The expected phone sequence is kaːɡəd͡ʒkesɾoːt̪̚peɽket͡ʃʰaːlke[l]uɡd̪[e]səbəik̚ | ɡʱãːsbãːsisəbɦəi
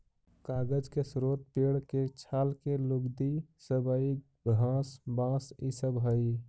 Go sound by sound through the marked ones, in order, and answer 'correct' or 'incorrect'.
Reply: correct, incorrect: i

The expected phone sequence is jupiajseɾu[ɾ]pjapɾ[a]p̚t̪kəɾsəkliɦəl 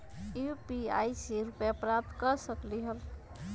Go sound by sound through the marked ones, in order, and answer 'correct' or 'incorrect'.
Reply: incorrect: none, correct

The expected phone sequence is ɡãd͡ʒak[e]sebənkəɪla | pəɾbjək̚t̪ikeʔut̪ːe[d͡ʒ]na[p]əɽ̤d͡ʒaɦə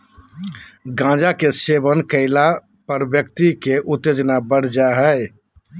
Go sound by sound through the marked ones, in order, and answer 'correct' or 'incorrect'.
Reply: correct, correct, incorrect: b

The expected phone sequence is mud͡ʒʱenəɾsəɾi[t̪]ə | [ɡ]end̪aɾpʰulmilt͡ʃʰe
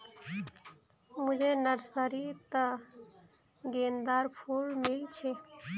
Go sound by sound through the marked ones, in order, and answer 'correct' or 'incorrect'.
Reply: correct, correct

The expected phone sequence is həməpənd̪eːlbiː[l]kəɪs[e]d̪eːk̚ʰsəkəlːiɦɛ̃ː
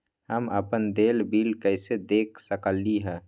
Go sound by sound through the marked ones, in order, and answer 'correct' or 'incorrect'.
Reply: correct, correct

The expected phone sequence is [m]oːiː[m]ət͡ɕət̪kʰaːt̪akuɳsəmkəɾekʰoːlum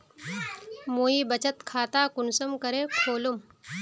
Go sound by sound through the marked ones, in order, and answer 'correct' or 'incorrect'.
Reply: correct, incorrect: b

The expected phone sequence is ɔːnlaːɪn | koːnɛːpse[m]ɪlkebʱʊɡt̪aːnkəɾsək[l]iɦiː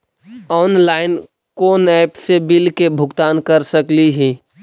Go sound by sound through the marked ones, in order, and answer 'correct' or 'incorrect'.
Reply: incorrect: b, correct

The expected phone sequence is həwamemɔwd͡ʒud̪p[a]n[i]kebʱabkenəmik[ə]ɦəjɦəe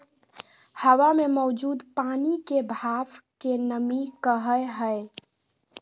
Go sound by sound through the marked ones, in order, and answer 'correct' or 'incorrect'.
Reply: correct, correct, correct

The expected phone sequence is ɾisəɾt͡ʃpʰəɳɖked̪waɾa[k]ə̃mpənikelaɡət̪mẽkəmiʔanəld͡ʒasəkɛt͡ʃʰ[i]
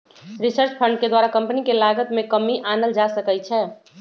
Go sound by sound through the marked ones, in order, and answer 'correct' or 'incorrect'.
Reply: correct, incorrect: ɛ

